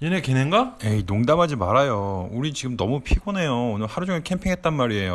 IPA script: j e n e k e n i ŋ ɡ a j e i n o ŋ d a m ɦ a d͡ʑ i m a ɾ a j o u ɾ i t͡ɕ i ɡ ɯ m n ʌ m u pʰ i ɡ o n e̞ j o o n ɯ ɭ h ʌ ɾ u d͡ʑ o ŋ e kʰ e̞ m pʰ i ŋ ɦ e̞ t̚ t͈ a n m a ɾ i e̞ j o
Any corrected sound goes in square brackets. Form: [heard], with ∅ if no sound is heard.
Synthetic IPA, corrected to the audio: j e n e k e n [e] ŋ ɡ a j e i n o ŋ d a m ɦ a d͡ʑ i m a ɾ a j o u ɾ i t͡ɕ i ɡ ɯ m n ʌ m u pʰ i ɡ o n e̞ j o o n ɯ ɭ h [a] ɾ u d͡ʑ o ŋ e kʰ e̞ m pʰ i ŋ ɦ e̞ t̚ t͈ a n m a ɾ i e̞ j o